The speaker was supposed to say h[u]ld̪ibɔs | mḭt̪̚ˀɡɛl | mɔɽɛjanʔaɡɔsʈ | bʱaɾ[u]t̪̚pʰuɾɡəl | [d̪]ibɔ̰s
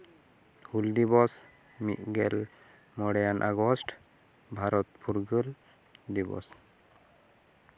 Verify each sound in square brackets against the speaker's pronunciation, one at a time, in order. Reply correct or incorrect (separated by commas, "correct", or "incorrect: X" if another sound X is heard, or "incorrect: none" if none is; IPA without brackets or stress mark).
correct, incorrect: ɔ, correct